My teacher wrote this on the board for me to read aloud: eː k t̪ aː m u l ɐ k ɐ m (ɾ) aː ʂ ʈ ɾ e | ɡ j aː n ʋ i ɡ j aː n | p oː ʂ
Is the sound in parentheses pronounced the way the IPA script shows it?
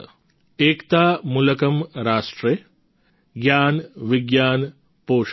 yes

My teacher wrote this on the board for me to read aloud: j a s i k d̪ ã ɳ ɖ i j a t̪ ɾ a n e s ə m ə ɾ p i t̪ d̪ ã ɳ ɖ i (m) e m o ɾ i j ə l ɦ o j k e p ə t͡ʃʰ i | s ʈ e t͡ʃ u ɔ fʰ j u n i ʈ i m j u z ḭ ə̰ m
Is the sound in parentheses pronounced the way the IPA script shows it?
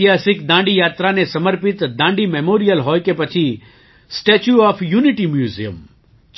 yes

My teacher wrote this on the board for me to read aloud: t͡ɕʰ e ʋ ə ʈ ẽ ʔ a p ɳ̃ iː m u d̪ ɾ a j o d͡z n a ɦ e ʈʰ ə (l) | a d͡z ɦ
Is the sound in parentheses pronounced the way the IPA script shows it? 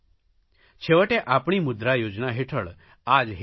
no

